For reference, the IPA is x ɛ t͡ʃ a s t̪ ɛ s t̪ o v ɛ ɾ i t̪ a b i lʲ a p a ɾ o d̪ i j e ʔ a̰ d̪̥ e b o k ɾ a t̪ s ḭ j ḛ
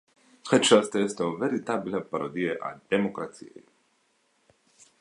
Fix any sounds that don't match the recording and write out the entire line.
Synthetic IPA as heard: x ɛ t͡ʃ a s t̪ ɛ s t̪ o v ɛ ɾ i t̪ a b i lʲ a p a ɾ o d̪ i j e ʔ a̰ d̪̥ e m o k ɾ a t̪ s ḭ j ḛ